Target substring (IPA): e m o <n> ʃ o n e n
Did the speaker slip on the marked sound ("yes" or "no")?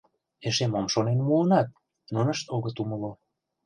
yes